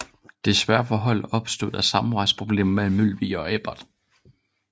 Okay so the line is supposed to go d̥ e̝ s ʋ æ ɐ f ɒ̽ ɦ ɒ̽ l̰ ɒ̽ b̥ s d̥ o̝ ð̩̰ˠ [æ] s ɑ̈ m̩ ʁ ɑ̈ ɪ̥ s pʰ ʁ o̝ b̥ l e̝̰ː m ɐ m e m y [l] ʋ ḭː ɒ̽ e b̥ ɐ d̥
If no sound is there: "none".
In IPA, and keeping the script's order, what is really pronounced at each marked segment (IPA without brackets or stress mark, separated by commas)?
æ, l